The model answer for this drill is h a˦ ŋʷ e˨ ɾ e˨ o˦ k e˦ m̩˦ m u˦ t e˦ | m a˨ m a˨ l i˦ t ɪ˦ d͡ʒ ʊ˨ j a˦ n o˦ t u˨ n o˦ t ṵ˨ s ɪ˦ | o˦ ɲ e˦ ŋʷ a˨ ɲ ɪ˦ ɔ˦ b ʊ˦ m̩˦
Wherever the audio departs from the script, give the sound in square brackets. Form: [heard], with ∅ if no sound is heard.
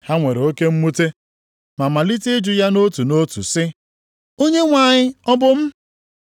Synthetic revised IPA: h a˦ ŋʷ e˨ ɾ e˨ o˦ k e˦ m̩˦ m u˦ t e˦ | m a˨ m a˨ l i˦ t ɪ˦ d͡ʒ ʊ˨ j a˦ n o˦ t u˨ n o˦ t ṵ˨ s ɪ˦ | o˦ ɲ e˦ ŋʷ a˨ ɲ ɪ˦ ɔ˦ b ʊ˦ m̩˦